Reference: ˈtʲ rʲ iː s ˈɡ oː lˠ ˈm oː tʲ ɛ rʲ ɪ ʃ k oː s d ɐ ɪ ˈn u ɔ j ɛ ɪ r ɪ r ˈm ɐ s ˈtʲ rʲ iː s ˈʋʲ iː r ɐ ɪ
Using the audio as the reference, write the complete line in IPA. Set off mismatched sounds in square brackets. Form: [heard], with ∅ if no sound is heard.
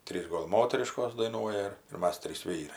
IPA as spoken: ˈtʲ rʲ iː s ˈɡ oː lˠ ˈm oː tʲ ɛ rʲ ɪ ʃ k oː s d ɐ ɪ ˈn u ɔ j ɛ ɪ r ɪ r ˈm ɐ s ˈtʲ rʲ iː s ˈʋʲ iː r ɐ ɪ